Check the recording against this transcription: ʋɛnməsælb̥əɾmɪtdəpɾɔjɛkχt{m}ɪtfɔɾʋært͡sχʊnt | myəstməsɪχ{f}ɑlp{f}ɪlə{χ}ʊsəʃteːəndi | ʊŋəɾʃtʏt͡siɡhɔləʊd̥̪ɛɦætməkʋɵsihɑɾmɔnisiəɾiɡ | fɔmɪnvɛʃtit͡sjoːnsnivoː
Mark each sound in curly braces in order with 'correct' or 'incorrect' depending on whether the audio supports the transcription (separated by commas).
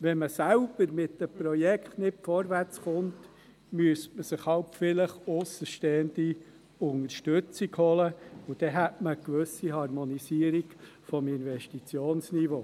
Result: incorrect, incorrect, correct, correct